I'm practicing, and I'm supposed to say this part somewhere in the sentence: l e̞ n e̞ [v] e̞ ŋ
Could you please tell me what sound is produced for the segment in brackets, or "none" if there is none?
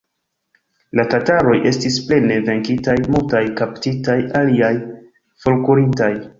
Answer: v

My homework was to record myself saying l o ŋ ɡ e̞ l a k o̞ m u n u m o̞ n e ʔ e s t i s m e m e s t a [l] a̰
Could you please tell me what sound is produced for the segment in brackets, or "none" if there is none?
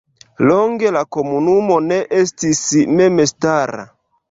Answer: ɾ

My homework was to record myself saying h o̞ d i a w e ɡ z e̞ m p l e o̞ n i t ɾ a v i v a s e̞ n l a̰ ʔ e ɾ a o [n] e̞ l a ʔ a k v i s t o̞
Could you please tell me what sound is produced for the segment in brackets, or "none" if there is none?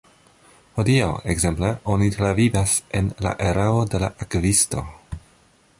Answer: d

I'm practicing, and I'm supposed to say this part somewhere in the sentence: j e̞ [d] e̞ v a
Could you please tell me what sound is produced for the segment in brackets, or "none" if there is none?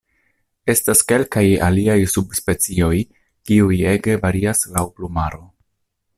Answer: ɡ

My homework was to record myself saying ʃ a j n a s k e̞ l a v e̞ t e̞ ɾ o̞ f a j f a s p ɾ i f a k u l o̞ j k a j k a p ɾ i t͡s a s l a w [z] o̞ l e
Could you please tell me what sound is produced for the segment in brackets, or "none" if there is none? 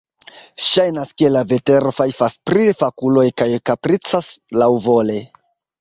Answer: v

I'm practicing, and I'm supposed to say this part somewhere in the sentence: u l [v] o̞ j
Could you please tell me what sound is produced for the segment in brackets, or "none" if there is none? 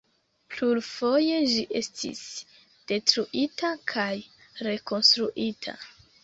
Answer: f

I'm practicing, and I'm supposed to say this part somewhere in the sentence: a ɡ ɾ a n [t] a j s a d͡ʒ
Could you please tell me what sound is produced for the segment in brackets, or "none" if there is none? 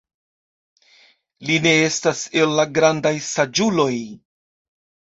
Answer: d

